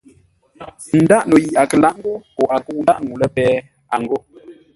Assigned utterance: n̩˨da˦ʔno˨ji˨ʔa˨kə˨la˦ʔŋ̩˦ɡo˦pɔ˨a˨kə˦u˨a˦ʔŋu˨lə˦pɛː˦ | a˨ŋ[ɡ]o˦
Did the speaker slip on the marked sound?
no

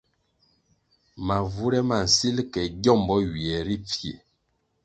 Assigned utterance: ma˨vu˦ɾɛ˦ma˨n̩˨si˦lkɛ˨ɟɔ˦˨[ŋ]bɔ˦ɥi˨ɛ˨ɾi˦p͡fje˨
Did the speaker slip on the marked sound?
yes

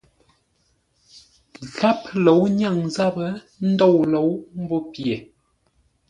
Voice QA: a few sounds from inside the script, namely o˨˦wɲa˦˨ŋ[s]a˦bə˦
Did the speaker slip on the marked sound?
yes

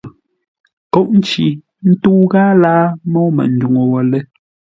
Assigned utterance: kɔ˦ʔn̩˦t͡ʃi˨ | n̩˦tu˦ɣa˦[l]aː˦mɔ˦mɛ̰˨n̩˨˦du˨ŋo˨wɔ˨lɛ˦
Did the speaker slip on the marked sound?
no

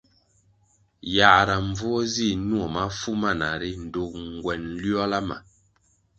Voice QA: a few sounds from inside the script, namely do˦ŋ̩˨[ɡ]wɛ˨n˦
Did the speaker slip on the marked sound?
no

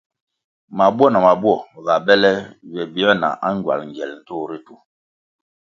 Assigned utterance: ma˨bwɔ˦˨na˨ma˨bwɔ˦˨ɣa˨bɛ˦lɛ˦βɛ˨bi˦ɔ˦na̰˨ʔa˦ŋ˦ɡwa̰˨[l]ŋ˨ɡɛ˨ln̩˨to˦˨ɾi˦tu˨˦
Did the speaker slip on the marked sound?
no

